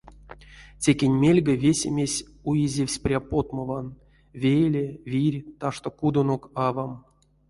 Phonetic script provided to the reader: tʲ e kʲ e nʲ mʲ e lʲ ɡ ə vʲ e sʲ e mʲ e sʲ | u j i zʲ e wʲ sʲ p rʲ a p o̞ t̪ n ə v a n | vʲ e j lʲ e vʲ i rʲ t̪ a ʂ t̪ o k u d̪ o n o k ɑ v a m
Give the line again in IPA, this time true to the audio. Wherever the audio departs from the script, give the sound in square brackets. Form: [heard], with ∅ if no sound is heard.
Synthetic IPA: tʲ e kʲ e nʲ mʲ e lʲ ɡ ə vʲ e sʲ e mʲ e sʲ | u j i zʲ e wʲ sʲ p rʲ a p o̞ t̪ [m] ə v a n | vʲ e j lʲ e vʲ i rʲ t̪ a ʂ t̪ o k u d̪ o n o k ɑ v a m